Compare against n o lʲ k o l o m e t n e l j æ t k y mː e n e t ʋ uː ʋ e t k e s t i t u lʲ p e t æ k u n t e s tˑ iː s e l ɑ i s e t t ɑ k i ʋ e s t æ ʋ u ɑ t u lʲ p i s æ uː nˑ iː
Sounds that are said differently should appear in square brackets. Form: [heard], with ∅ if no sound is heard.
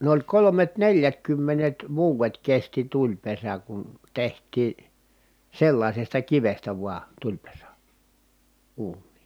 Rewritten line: n o lʲ k o l o m e t n e l j æ t k y mː e n e t ʋ uː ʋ e t k e s t i t u lʲ p e [s] æ k u n t e [h] tˑ iː s e [lː] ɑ i s e [s] t ɑ k i ʋ e s t æ ʋ u ɑ t u lʲ p [e] s æ uː nˑ iː